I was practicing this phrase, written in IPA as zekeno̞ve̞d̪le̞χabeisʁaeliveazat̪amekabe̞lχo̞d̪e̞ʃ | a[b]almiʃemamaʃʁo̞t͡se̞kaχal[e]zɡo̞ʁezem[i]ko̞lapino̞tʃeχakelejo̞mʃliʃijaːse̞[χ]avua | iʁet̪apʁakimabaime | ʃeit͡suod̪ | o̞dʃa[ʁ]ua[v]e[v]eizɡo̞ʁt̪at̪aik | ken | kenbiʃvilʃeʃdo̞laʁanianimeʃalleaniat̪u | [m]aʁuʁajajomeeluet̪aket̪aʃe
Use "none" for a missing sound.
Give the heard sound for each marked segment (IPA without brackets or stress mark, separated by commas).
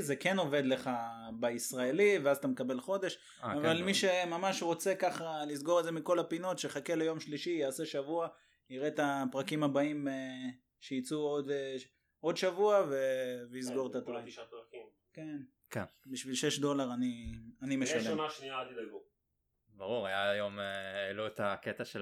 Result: v, i, i, ʃ, v, v, v, b